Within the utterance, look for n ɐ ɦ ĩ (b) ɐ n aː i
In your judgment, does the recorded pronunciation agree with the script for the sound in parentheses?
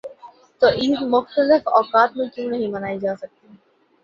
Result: no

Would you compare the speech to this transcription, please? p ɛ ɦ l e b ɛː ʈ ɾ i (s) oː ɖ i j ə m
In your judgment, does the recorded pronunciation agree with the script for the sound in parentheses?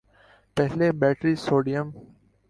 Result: yes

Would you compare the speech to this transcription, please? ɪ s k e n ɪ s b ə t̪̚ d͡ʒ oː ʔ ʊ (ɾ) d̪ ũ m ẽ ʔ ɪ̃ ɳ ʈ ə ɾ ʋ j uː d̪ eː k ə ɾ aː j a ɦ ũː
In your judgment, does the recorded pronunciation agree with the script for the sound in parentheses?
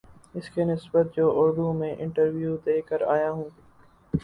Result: yes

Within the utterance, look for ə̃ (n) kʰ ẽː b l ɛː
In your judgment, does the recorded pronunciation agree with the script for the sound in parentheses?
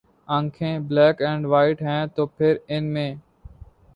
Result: no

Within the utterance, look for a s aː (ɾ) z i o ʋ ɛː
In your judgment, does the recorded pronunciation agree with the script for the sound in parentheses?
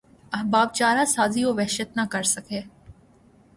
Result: no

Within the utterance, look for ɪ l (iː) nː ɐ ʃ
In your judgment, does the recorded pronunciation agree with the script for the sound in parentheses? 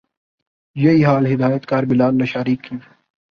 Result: no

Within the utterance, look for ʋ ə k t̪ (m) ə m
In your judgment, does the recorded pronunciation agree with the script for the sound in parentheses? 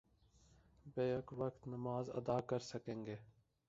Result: no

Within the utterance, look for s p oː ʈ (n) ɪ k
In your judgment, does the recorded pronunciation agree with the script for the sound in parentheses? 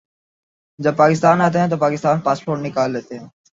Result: yes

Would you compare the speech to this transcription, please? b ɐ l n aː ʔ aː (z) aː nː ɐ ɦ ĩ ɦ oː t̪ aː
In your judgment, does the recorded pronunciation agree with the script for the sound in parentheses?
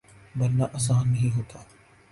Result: no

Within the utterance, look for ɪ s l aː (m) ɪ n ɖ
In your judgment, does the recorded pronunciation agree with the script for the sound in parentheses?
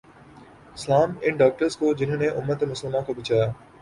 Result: yes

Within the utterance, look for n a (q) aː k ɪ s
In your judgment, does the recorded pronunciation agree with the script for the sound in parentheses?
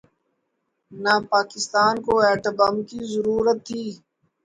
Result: no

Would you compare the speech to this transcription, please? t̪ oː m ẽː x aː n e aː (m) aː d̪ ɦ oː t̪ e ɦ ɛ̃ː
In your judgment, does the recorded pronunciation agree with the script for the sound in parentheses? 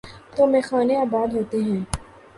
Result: no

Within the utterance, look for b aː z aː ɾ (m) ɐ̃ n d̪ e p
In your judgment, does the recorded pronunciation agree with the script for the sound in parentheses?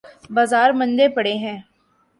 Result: yes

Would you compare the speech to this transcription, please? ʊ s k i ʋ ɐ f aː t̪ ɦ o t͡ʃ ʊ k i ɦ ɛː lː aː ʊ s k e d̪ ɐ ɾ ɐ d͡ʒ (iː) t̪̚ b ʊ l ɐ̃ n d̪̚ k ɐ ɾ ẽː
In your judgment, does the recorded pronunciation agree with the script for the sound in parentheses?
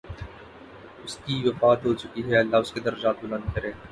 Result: no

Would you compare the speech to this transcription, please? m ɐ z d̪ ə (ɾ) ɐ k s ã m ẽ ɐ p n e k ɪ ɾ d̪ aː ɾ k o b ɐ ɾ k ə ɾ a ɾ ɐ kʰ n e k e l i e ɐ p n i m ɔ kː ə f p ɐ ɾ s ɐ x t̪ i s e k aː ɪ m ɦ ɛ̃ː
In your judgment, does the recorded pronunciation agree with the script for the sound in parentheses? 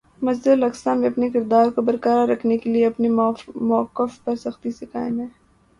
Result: no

